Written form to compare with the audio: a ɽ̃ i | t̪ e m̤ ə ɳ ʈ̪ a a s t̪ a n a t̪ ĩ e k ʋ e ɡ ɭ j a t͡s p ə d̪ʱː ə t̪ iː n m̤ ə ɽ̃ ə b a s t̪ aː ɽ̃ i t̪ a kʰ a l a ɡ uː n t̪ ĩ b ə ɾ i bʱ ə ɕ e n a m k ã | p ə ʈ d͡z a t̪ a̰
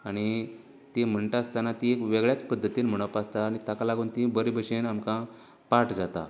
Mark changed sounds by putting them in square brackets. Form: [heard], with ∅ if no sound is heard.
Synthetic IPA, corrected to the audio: a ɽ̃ i | t̪ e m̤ ə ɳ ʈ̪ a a s t̪ a n a t̪ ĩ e k ʋ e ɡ ɭ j a t͡s p ə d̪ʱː ə t̪ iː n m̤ ə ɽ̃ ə [p] a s t̪ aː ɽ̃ i t̪ a [k] a l a ɡ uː n t̪ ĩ b ə ɾ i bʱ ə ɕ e n a m k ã | p [a] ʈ d͡z a t̪ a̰